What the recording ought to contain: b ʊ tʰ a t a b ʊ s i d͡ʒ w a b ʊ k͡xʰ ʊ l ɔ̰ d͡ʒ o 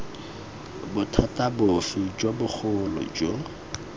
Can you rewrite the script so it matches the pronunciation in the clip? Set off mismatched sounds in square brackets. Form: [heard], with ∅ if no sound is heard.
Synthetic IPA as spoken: b ʊ tʰ a t a b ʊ [f] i d͡ʒ w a b ʊ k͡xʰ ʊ l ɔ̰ d͡ʒ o